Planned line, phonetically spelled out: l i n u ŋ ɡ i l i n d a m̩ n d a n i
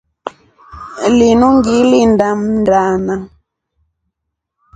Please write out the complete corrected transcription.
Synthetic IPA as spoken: l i n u ŋ ɡ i l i n d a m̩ n d a n a